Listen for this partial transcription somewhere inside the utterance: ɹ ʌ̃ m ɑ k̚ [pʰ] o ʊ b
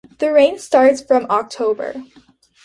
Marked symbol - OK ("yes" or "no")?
no